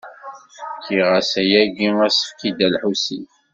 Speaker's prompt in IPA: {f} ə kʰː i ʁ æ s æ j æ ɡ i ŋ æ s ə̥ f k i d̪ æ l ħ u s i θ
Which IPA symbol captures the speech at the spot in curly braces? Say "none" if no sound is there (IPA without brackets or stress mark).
f